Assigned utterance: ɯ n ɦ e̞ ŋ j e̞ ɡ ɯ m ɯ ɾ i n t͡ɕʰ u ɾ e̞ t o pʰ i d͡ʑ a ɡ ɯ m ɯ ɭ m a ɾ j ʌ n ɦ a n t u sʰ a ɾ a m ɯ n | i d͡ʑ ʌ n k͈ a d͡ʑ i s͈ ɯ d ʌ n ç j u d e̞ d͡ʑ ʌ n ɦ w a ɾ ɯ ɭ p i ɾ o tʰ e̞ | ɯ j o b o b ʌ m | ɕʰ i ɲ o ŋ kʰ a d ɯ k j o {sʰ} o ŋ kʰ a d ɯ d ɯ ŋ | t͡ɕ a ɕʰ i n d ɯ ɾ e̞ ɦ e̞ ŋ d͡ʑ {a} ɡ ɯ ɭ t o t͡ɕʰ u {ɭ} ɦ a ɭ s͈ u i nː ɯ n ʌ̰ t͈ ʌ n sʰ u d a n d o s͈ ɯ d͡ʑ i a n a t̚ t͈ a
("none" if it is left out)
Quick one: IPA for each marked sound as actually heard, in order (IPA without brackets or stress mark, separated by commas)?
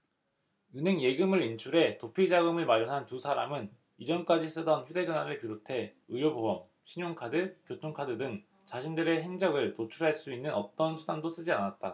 tʰ, ʌ, ɾ